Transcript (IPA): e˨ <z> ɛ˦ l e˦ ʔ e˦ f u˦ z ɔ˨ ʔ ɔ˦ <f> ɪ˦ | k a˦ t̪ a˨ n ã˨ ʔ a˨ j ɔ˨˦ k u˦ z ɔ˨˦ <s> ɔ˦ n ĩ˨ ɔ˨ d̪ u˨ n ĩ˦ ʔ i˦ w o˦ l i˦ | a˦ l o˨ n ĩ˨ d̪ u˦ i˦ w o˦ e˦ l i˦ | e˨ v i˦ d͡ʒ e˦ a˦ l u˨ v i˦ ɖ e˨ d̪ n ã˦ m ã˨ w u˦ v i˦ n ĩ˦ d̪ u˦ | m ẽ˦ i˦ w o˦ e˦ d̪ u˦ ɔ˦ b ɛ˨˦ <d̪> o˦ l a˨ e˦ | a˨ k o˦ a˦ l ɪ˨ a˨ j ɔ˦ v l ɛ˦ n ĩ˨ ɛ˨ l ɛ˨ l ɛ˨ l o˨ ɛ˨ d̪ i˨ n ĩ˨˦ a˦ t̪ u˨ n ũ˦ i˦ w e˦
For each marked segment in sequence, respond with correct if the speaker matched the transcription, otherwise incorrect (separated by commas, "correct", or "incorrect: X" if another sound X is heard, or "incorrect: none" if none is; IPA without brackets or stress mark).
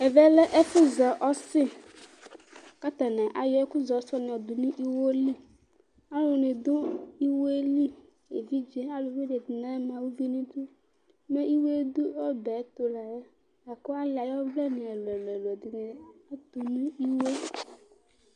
incorrect: v, incorrect: s, correct, incorrect: t̪